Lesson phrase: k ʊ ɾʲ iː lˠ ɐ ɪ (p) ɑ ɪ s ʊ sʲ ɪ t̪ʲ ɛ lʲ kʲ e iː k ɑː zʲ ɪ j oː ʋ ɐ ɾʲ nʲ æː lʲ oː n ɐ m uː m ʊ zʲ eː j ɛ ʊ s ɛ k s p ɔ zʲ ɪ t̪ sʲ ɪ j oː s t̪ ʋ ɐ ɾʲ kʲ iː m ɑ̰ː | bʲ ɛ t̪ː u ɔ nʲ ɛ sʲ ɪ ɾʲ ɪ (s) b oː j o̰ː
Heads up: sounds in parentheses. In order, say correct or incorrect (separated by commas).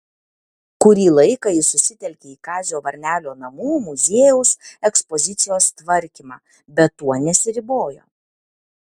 incorrect, incorrect